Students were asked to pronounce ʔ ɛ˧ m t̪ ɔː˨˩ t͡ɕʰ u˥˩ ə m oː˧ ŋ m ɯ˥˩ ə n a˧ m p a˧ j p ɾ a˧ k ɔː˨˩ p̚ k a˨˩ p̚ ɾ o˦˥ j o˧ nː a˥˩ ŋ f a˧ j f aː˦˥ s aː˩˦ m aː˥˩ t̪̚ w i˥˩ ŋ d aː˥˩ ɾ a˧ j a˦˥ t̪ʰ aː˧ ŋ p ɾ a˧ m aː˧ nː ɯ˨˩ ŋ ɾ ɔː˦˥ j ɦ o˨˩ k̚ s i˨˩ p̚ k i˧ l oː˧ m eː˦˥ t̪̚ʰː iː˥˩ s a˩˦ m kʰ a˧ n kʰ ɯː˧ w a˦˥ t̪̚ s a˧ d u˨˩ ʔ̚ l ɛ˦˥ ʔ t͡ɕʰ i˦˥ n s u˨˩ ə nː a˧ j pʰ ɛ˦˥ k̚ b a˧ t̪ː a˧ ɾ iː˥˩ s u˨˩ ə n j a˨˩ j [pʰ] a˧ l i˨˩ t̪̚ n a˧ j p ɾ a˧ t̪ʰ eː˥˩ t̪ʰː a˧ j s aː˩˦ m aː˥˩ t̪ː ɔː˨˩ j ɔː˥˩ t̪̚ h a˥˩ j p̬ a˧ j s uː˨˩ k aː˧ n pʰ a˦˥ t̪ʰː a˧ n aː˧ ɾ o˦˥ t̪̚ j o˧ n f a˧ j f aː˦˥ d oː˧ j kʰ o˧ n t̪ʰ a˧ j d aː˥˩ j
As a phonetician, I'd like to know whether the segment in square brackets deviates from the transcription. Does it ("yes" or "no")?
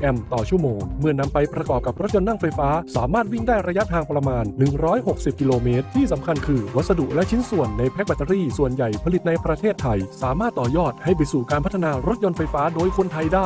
no